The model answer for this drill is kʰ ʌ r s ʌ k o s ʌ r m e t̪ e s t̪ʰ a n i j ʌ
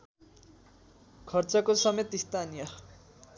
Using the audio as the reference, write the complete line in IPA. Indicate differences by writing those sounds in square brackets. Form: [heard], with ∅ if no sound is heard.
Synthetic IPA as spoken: kʰ ʌ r [t͡s] ʌ k o s ʌ [∅] m e t̪ [i] s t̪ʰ a n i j ʌ